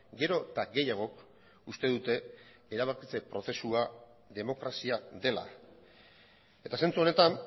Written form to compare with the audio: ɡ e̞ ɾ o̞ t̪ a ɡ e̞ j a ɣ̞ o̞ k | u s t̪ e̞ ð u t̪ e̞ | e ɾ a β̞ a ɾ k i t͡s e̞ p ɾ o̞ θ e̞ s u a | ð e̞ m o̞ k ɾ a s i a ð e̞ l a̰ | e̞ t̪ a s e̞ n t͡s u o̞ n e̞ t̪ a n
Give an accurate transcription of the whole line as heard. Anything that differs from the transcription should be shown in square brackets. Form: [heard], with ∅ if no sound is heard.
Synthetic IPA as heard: ɡ e̞ ɾ o̞ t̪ a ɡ e̞ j a ɣ̞ o̞ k | u s t̪ e̞ ð u t̪ e̞ | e ɾ a β̞ a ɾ k i t͡s e̞ p ɾ o̞ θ e̞ s u a | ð e̞ m o̞ k ɾ a s i a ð e̞ l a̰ | e̞ t̪ a s e̞ n t͡s u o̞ n e̞ t̪ a n